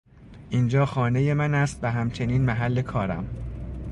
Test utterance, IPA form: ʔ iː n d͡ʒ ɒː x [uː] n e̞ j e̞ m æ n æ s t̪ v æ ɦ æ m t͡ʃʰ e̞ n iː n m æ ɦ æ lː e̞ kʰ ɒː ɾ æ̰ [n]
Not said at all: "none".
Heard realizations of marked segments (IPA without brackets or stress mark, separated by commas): ɒː, m